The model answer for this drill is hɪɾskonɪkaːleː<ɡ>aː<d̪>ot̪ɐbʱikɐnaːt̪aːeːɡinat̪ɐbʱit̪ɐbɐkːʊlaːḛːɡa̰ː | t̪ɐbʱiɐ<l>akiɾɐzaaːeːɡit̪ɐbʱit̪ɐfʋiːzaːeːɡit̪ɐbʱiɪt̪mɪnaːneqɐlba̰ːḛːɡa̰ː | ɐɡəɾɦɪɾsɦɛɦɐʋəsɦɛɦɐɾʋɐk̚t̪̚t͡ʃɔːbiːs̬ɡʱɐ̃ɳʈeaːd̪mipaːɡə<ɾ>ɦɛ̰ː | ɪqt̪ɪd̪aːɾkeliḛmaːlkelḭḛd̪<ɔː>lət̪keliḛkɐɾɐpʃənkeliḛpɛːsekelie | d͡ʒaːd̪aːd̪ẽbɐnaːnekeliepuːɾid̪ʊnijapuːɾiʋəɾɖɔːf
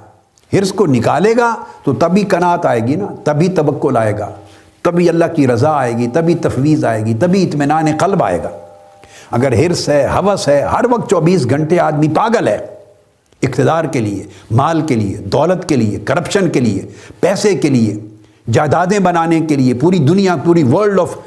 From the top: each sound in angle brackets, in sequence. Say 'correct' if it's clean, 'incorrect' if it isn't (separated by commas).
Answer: correct, incorrect, incorrect, incorrect, correct